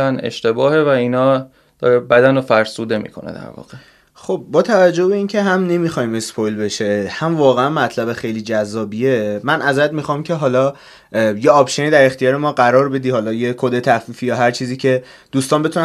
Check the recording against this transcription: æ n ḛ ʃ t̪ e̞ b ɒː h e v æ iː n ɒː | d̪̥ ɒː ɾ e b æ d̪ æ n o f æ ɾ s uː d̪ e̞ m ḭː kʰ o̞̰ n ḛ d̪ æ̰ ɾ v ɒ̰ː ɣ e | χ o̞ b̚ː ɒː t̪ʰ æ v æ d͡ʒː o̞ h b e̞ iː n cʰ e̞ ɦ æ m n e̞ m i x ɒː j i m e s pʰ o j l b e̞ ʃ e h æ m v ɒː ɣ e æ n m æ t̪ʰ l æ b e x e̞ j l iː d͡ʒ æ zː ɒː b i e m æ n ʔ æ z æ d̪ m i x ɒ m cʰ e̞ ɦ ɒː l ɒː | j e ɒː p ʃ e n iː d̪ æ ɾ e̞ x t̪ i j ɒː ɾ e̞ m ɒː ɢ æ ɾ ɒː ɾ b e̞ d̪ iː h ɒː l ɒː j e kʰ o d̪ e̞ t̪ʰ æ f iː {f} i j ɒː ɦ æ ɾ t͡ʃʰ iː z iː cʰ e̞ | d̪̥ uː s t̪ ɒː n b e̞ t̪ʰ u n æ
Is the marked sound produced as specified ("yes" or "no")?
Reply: yes